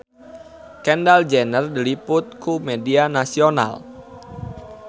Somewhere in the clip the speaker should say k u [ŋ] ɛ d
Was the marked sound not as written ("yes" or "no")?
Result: yes